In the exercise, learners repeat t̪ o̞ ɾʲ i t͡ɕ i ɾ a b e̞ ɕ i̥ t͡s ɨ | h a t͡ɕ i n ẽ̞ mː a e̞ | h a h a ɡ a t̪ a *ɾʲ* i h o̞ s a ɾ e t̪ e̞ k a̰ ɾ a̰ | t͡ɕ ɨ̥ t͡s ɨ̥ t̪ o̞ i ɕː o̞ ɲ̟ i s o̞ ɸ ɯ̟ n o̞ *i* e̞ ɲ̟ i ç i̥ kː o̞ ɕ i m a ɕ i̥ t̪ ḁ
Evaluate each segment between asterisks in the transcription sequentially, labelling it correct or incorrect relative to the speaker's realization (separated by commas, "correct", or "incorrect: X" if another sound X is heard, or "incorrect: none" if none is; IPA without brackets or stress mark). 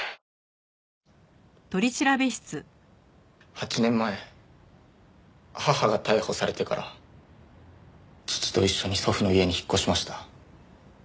incorrect: none, correct